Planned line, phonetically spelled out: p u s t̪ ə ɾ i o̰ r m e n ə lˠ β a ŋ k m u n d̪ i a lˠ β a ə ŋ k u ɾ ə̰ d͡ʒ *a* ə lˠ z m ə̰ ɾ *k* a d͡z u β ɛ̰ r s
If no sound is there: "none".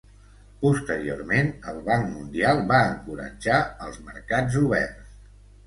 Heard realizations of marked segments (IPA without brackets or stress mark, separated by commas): a, k